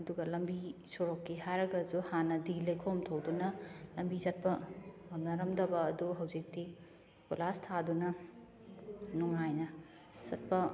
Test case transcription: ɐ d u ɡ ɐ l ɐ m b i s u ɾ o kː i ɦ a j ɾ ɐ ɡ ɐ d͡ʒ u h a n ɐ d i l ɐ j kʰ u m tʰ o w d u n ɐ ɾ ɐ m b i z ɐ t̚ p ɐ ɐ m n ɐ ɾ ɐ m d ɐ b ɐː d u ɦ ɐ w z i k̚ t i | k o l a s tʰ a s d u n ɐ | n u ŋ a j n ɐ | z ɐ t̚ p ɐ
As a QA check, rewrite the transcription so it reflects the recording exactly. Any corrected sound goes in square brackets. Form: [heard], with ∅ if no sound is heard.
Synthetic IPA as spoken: ɐ d u ɡ ɐ l ɐ m b i s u ɾ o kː i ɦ a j ɾ ɐ ɡ ɐ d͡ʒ u h a n ɐ d i l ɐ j kʰ [o] m tʰ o w d u n ɐ [l] ɐ m b i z ɐ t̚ p ɐ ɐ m n ɐ ɾ ɐ m d ɐ b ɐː d u ɦ ɐ w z i k̚ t i | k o l a s tʰ a [∅] d u n ɐ | n u ŋ a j n ɐ | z ɐ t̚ p ɐ